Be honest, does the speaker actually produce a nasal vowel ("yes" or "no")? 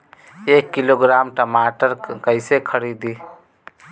no